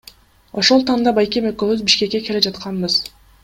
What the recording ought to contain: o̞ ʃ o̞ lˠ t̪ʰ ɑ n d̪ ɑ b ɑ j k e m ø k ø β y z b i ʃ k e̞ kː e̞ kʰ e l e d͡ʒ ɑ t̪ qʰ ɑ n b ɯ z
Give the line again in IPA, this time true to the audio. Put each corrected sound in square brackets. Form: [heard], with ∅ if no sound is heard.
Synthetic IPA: o̞ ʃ o̞ lˠ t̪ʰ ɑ n d̪ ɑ b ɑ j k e m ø k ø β y z b i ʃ k e̞ kː e̞ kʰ e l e d͡ʒ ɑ t̪ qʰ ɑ n b ɯ z